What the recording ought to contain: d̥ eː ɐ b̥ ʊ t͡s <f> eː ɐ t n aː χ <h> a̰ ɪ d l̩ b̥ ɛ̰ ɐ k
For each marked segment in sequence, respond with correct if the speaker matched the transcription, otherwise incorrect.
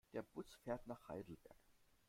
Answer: correct, correct

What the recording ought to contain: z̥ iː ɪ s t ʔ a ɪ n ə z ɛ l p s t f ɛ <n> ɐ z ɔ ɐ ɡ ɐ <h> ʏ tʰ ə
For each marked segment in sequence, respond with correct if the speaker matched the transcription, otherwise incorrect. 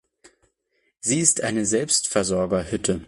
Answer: incorrect: none, correct

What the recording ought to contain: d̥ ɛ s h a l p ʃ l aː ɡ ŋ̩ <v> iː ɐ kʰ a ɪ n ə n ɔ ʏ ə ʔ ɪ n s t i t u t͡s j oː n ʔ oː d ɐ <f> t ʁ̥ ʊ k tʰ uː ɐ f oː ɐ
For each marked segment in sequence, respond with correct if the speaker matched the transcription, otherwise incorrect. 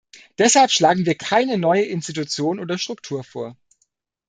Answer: correct, incorrect: ʃ

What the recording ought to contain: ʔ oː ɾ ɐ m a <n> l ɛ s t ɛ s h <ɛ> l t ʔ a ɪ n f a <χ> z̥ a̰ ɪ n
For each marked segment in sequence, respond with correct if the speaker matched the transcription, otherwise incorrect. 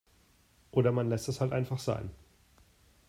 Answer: correct, incorrect: a, correct

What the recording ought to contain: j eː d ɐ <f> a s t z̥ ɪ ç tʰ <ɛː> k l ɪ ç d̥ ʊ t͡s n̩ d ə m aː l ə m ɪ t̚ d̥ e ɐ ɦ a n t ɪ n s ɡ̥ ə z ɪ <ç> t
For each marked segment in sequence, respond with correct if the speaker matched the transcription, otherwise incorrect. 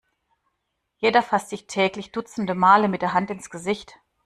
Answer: correct, correct, correct

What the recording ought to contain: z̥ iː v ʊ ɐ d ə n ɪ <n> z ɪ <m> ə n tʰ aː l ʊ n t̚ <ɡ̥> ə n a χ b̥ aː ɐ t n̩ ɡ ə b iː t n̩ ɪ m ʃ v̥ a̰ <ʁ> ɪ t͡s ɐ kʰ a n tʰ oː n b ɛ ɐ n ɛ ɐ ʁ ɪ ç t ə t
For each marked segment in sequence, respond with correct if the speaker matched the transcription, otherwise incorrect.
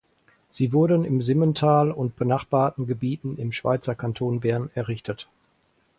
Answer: incorrect: m, correct, incorrect: b̥, incorrect: none

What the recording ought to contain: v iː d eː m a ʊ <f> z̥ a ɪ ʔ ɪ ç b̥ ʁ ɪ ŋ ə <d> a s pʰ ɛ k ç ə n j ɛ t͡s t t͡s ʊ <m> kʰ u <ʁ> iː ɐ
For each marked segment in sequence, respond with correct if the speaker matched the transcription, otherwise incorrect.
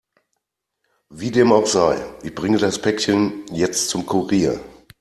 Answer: incorrect: x, correct, correct, correct

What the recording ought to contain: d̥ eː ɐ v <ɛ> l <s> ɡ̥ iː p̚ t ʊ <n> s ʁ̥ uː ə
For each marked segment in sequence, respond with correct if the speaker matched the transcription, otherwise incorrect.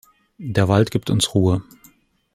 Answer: incorrect: a, incorrect: t, correct

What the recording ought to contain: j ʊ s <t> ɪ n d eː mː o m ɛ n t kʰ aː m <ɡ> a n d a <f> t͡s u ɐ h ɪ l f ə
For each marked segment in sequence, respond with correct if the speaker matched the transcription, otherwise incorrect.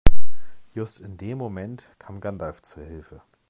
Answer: correct, correct, correct

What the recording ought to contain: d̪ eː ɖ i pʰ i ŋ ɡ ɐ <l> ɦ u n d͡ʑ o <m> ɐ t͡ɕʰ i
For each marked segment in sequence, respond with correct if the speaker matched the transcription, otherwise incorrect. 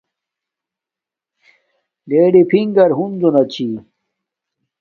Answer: incorrect: ɾ, incorrect: n

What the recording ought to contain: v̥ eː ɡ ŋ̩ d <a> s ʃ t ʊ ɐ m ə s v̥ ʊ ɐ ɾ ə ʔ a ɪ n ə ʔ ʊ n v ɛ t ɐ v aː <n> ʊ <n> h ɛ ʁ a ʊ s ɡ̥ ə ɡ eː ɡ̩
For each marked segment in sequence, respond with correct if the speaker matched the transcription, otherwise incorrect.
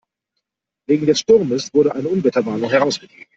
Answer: incorrect: ɛ, correct, incorrect: ŋ

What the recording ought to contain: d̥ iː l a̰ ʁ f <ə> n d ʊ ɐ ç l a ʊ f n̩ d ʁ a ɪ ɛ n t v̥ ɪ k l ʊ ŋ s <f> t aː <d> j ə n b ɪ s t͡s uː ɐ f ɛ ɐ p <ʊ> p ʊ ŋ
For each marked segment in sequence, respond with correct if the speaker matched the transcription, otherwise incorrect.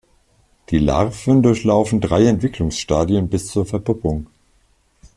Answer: correct, incorrect: ʃ, correct, correct

